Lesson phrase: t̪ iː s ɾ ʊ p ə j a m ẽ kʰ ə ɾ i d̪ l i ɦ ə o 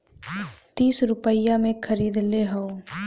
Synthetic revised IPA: t̪ iː s ɾ ʊ p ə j a m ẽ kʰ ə ɾ iː d̪ l e ɦ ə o